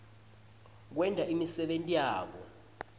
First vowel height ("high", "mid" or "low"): mid